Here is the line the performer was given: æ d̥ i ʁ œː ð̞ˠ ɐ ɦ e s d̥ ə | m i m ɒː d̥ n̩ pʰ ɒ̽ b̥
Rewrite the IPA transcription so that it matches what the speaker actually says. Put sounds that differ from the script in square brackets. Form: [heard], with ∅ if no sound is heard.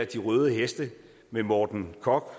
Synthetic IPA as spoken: æ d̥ i ʁ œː ð̞ˠ [ə] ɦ e s d̥ ə | m [e] m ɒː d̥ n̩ [kʰ] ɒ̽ [ɡ̥]

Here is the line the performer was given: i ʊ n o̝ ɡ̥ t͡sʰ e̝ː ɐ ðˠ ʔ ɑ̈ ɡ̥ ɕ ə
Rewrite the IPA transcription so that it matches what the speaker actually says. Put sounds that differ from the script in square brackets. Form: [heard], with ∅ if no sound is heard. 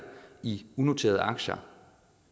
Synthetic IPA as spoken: i [u] n o̝ [∅] t͡sʰ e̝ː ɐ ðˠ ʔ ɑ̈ ɡ̥ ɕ [ɐ]

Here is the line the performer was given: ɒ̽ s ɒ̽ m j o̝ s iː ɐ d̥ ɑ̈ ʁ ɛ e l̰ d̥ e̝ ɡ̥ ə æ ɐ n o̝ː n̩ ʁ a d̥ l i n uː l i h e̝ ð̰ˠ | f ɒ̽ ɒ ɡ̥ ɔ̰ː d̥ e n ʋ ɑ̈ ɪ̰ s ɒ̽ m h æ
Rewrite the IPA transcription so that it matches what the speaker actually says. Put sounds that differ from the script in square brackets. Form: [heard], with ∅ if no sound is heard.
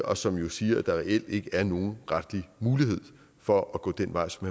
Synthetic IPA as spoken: ɒ̽ s ɒ̽ m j o̝ s iː ɐ d̥ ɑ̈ ʁ ɛ e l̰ d̥ e̝ ɡ̥ ə æ ɐ n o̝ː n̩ ʁ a d̥ l i [m] uː l i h e̝ ð̰ˠ | f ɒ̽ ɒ ɡ̥ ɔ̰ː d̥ e n ʋ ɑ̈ ɪ̰ s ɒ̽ m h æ

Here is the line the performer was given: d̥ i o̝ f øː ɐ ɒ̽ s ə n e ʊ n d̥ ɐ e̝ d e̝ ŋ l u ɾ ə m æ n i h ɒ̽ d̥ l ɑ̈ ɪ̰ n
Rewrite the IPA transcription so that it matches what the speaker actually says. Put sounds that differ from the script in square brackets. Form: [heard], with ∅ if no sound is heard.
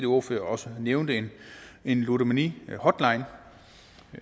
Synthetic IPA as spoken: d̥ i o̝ f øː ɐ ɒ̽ s ə n e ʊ n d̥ [ə] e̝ [n] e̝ [n] l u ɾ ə m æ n i h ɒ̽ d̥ l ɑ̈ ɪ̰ n

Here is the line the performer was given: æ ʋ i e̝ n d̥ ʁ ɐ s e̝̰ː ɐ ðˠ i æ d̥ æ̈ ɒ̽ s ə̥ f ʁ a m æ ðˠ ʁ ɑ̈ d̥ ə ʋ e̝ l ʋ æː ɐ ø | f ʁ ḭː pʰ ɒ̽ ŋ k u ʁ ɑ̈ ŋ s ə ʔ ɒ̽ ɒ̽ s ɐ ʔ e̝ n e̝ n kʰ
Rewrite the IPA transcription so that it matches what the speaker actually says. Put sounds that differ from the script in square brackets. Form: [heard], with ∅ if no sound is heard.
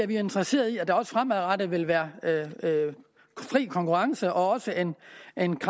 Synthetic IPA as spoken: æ ʋ i e̝ n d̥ ʁ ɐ s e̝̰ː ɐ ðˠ i æ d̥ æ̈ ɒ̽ s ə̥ f ʁ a m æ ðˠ ʁ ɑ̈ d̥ ə ʋ e̝ l ʋ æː ɐ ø | f ʁ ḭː [kʰ] ɒ̽ ŋ k u ʁ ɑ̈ ŋ s ə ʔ ɒ̽ ɒ̽ s [ə] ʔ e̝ n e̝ n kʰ

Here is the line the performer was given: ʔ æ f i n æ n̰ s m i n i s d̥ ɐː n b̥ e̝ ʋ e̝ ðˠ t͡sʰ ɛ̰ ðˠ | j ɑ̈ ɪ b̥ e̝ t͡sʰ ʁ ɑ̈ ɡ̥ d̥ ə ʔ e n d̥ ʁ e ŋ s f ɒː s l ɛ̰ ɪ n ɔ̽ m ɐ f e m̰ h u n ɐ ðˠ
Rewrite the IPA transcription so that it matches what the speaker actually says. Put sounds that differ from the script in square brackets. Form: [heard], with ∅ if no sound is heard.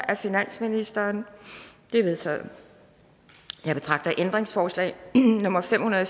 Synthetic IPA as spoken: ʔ æ f i n æ n̰ s m i n i s d̥ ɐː n [d̥] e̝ ʋ e̝ ðˠ t͡sʰ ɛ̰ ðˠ | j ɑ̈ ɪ b̥ e̝ t͡sʰ ʁ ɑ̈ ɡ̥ d̥ [ɐ] ʔ e n d̥ ʁ e ŋ s f ɒː s l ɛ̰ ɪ n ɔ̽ m ɐ f e m̰ h u n ɐ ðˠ

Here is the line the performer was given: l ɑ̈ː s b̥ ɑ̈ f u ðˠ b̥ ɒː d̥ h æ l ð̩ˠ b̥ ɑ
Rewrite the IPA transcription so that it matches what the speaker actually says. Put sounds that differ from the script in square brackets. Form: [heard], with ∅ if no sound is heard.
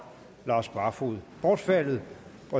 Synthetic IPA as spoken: l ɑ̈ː s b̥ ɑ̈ f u ðˠ b̥ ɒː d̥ [f] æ l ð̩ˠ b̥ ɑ

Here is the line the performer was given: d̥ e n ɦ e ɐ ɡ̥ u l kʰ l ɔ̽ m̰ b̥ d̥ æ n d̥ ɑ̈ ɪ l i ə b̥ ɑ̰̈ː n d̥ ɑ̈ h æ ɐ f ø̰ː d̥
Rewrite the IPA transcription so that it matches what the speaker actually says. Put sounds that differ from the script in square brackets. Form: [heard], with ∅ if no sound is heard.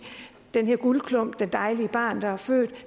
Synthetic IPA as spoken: d̥ e n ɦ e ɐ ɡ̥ u l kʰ l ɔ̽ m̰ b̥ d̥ [e] n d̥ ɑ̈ ɪ l i ə b̥ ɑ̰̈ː n d̥ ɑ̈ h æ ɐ f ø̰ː d̥

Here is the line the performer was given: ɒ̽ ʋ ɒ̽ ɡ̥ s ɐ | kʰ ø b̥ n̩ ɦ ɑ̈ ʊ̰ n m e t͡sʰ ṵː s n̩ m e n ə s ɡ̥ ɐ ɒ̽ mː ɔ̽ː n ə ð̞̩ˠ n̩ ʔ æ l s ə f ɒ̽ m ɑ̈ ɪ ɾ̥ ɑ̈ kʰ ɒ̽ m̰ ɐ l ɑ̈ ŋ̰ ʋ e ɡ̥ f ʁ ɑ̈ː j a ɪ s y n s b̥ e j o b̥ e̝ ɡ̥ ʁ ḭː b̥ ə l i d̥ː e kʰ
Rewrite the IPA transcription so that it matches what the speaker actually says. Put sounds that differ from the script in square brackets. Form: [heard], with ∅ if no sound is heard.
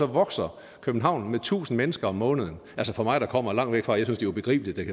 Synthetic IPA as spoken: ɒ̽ ʋ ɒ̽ ɡ̥ s ɐ | kʰ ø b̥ n̩ ɦ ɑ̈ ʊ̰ n m e t͡sʰ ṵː s n̩ m e n ə s ɡ̥ ɐ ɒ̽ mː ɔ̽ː n ə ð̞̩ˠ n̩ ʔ æ l s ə f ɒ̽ m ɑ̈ ɪ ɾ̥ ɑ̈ kʰ ɒ̽ m̰ ɐ l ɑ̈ ŋ̰ ʋ e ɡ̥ f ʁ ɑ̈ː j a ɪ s y n s [d̥] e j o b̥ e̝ ɡ̥ ʁ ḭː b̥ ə l i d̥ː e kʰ

